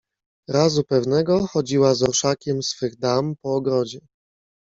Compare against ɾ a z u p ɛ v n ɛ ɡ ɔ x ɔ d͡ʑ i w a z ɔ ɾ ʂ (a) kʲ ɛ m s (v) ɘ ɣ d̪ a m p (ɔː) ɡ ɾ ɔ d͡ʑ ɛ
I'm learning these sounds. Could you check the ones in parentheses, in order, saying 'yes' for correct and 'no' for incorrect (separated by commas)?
yes, no, yes